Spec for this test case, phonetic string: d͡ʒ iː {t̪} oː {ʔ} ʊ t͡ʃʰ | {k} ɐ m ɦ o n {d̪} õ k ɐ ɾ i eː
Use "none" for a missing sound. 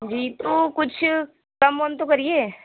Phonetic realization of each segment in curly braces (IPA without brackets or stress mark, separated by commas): t̪, k, k, t̪